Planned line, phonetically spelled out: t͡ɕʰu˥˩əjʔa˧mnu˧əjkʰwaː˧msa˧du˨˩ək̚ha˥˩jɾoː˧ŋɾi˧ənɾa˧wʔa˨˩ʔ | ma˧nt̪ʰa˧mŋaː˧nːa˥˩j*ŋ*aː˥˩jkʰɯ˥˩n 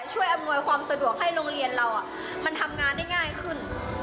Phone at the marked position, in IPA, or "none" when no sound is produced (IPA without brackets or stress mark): ŋ